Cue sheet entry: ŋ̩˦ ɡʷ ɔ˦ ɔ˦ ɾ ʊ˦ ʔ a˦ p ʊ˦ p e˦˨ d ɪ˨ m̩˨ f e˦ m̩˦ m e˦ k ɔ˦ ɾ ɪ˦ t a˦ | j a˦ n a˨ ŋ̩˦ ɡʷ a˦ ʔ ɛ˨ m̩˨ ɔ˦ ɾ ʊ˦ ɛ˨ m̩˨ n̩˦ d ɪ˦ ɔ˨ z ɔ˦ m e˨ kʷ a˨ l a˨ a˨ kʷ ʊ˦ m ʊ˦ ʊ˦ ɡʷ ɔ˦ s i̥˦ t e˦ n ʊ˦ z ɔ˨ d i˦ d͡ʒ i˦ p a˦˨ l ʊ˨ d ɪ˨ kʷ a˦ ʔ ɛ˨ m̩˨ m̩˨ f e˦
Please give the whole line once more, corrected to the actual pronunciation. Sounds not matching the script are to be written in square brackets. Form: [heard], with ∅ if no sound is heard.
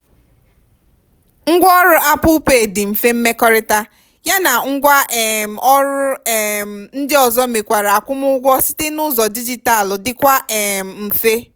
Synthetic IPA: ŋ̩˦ ɡʷ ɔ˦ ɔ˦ ɾ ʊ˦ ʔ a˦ p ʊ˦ p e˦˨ d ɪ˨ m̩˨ f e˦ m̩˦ m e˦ k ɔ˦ ɾ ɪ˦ t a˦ | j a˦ n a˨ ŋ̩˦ ɡʷ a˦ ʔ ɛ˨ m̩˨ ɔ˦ ɾ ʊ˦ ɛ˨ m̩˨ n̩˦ d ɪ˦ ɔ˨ z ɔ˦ m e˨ kʷ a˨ [ɾ] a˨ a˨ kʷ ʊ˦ m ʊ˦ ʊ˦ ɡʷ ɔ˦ s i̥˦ t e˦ n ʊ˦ z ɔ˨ d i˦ d͡ʒ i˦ [t] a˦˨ l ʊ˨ d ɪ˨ kʷ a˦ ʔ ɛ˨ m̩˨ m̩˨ f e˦